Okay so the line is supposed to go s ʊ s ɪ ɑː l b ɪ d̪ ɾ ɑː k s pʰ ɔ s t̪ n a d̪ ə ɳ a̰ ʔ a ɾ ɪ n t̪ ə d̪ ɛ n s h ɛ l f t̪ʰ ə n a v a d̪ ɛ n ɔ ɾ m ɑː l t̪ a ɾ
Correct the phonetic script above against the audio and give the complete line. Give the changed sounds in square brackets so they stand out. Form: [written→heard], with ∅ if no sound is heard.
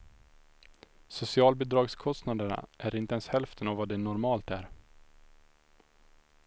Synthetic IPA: s ʊ s ɪ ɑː l b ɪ d̪ ɾ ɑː [k→ɡ] s [pʰ→kʰ] ɔ s t̪ n a d̪ ə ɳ a̰ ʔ [a→æ] ɾ ɪ n t̪ ə [d̪→∅] ɛ n s h ɛ l f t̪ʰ ə n a v a d̪ ɛ n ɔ ɾ m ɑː l t̪ [a→æ] ɾ